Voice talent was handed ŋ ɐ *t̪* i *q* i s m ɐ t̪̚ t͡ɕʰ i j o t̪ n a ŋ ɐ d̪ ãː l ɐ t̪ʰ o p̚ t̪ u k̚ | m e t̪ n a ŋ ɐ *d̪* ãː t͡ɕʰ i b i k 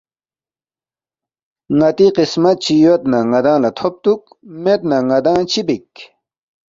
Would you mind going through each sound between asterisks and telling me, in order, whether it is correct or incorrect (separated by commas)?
correct, correct, correct